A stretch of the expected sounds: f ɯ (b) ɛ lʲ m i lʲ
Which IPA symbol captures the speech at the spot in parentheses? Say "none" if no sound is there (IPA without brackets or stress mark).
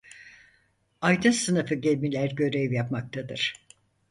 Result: ɟ